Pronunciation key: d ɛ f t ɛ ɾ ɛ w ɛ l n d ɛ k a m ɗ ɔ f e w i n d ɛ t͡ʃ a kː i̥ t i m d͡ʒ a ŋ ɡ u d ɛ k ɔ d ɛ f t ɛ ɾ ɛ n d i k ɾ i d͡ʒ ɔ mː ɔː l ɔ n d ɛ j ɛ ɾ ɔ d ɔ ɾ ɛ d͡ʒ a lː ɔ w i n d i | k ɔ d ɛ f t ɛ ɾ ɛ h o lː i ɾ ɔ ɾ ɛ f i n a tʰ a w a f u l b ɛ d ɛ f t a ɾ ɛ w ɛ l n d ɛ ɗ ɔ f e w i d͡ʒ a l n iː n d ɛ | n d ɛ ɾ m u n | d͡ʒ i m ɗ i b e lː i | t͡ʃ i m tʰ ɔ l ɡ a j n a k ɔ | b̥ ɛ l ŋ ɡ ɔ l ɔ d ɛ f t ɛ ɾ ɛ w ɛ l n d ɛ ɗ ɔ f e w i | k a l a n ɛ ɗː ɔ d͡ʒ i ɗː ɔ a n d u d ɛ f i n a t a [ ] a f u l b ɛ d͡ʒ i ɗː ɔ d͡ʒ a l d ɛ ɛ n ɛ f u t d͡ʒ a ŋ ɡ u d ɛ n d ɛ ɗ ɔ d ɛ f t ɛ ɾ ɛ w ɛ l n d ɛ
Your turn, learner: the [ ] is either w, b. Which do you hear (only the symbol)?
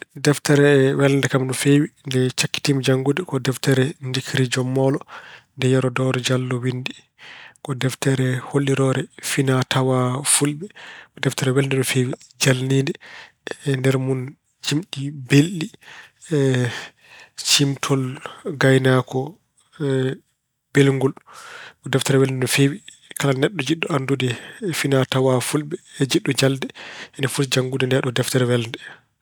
w